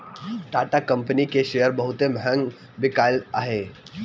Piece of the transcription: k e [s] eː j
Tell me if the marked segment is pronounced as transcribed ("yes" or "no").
no